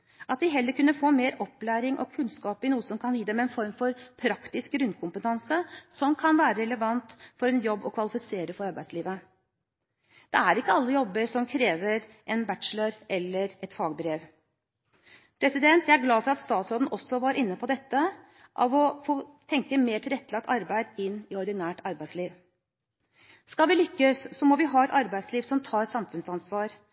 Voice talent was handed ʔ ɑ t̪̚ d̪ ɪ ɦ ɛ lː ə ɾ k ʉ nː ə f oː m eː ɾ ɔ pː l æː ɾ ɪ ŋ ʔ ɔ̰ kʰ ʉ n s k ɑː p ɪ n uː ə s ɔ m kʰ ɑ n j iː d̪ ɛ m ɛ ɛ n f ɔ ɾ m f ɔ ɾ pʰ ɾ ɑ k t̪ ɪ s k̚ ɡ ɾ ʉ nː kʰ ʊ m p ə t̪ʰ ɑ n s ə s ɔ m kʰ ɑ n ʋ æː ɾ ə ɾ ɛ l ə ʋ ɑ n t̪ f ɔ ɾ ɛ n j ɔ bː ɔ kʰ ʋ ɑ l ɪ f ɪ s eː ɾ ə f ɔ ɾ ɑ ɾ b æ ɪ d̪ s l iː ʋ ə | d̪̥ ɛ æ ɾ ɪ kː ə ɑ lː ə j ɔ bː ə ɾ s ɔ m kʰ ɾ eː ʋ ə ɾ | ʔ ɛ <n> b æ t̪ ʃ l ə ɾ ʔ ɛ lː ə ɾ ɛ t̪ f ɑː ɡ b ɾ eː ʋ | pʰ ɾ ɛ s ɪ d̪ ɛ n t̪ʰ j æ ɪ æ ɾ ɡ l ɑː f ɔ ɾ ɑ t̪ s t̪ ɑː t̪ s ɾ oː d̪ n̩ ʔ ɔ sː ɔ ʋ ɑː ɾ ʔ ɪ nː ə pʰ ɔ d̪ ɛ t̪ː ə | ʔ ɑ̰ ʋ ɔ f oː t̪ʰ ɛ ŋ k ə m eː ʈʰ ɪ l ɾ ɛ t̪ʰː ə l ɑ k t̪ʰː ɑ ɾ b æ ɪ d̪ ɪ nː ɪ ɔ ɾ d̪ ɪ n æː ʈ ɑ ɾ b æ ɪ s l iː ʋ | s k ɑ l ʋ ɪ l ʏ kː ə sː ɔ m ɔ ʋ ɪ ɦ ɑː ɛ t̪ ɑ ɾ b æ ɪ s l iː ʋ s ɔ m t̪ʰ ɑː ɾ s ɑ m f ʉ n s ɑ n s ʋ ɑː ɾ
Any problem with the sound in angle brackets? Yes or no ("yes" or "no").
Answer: no